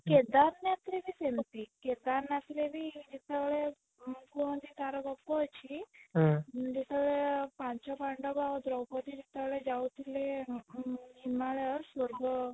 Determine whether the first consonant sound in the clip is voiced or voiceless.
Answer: voiceless